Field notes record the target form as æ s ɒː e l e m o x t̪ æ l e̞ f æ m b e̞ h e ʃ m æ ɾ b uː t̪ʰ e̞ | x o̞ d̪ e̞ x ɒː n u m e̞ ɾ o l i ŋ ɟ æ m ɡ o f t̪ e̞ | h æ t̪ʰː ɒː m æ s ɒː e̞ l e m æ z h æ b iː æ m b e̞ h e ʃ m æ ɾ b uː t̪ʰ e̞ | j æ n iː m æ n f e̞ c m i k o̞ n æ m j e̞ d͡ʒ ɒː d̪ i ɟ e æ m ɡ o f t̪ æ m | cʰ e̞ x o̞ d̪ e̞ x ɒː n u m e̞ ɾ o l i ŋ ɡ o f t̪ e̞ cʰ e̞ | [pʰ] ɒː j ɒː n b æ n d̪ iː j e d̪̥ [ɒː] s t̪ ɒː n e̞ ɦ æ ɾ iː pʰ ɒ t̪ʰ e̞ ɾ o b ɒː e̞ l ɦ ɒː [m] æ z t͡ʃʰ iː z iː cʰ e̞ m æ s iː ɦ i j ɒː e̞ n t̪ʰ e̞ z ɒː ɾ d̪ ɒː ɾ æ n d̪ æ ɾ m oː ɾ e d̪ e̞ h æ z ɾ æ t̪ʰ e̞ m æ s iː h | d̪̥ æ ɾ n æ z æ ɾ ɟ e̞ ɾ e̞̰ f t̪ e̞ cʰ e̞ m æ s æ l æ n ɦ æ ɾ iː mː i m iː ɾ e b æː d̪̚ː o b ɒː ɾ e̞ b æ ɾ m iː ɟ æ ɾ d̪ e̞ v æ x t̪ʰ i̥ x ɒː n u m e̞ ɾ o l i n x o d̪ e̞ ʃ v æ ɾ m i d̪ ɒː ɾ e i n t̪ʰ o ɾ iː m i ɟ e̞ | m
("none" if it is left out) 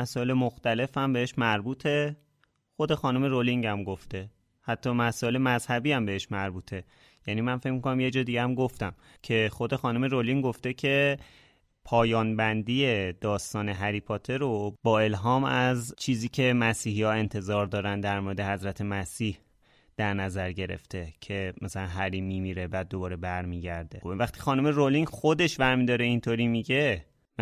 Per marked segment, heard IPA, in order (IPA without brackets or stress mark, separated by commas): pʰ, ɒː, m